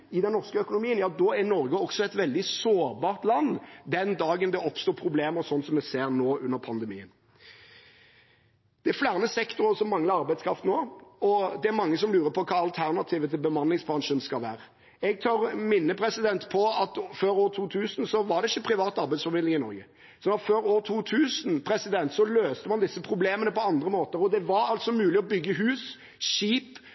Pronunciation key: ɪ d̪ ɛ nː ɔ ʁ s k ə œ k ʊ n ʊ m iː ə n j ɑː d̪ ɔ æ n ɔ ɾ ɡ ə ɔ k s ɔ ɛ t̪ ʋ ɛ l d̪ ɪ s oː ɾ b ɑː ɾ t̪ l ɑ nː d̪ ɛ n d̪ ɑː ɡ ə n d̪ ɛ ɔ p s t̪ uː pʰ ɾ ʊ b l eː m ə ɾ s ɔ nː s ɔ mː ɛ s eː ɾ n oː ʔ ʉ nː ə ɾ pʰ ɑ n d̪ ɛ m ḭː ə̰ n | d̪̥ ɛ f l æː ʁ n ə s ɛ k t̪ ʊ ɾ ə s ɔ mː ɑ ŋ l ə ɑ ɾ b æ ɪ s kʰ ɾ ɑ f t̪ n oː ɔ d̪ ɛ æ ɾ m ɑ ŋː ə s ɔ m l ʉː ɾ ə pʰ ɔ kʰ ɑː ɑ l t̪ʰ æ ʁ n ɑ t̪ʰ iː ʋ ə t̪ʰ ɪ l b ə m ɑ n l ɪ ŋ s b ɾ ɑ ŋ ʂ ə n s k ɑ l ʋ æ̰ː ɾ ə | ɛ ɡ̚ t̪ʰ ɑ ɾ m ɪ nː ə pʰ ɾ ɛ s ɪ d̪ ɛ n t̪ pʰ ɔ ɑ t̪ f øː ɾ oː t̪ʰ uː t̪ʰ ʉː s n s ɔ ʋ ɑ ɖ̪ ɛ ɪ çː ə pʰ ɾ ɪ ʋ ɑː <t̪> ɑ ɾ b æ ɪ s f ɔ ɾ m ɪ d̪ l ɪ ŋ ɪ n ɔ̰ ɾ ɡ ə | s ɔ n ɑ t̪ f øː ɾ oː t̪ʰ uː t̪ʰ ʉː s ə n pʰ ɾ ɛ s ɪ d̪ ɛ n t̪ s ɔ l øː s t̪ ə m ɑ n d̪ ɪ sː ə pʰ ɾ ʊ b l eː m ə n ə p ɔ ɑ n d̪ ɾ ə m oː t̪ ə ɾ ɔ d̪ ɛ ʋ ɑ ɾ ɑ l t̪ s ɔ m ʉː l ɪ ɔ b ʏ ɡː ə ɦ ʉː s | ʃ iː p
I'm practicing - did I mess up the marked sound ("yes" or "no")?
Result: no